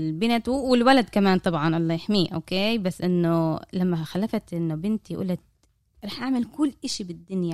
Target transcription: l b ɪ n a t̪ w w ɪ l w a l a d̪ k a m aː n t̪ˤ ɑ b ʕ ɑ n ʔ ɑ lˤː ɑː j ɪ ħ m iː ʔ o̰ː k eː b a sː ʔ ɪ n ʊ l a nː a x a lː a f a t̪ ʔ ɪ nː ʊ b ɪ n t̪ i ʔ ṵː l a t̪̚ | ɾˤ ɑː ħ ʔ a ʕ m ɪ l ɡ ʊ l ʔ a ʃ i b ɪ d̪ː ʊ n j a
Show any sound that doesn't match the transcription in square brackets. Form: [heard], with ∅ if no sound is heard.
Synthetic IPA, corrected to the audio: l b ɪ n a t̪ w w ɪ l w a l a d̪ k a m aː n t̪ˤ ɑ b ʕ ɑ n ʔ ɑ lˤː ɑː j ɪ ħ m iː ʔ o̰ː k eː b a sː ʔ ɪ [nː] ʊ l a [mː] a x a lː a f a t̪ ʔ ɪ nː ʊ b ɪ n t̪ i ʔ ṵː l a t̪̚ | ɾˤ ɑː ħ ʔ a ʕ m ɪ l [k] ʊ [lː] ʔ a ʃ i b ɪ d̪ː ʊ n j a